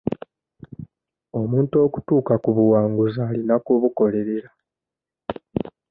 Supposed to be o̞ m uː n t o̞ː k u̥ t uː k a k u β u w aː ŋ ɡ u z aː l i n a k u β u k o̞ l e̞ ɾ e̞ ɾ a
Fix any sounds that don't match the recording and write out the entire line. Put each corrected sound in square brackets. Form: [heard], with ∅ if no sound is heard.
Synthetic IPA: o̞ m uː n t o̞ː k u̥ t uː k a k u β u w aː ŋ ɡ u z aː l i n a k u β u k o̞ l e̞ ɾ e̞ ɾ a